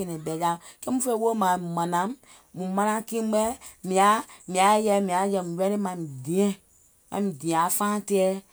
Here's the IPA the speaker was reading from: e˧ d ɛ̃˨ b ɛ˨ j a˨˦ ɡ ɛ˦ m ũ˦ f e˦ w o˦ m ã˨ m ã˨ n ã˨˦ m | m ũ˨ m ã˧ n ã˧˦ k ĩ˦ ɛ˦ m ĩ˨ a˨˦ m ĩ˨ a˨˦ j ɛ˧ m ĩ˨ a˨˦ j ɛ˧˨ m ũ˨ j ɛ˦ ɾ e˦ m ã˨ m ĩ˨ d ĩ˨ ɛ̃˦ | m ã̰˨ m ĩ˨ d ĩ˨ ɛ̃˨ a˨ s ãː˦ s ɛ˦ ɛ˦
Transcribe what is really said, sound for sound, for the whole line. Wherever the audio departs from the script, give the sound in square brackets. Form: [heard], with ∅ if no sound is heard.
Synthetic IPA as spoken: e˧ [n] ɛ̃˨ b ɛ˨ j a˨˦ [k] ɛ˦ m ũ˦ f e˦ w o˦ m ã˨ m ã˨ n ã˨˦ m | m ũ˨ m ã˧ n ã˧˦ k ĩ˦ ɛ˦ m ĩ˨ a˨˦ m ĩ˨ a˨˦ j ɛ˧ m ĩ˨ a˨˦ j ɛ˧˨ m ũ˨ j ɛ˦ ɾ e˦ m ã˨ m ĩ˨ d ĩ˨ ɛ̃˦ | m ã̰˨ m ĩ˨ d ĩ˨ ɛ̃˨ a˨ [f] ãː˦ [t] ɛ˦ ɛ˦